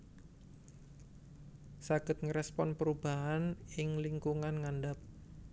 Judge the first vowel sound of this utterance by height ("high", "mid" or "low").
low